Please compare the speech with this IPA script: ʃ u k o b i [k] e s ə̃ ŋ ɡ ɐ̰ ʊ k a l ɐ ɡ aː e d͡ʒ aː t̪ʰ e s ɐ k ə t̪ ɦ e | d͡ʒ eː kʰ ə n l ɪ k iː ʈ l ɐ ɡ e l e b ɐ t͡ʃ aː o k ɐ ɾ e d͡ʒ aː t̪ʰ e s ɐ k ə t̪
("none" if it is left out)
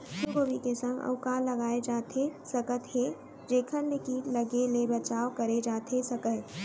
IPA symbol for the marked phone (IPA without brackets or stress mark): k